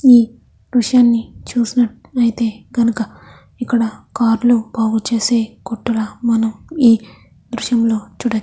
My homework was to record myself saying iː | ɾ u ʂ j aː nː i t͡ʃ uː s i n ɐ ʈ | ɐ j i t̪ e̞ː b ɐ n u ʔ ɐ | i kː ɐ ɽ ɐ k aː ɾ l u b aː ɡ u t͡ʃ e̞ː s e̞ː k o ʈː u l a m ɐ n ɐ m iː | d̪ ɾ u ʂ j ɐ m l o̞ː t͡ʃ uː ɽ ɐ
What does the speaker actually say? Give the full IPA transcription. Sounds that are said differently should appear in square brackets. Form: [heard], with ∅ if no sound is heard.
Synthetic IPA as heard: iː | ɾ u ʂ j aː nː i t͡ʃ uː s i n ɐ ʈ | ɐ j i t̪ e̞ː [ɡ] ɐ n u [k] ɐ | i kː ɐ ɽ ɐ k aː ɾ l u b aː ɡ u t͡ʃ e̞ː s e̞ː k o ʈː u l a m ɐ n ɐ m iː | d̪ ɾ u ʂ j ɐ m l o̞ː t͡ʃ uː ɽ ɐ